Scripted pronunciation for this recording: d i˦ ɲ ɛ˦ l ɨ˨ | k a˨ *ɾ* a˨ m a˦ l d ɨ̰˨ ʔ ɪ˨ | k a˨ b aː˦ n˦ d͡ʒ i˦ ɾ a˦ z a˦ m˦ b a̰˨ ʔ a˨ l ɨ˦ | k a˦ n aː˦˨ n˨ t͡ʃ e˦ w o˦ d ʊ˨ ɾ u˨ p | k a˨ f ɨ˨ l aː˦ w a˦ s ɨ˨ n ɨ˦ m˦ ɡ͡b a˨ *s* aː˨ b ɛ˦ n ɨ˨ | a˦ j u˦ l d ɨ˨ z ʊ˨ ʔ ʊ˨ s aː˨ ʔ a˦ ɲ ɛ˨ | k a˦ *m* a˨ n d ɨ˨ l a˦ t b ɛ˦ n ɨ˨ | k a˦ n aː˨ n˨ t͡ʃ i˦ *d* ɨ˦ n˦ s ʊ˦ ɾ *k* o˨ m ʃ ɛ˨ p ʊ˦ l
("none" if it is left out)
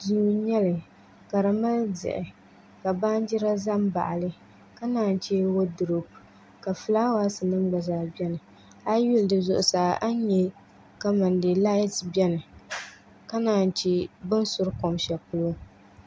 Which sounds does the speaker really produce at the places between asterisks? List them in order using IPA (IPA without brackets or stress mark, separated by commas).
ɾ, z, m, b, k